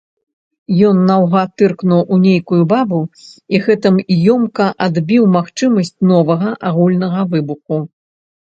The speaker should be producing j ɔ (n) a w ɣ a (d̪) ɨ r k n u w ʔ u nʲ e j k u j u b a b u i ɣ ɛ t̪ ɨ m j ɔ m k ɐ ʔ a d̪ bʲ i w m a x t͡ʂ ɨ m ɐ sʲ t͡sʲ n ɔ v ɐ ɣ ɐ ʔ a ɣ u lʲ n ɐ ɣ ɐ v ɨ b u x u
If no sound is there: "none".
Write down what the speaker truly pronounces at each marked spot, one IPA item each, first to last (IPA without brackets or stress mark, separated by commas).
nː, t̪